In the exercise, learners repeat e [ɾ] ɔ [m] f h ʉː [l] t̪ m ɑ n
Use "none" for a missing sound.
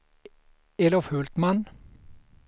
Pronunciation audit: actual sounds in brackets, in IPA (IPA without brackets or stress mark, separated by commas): l, none, l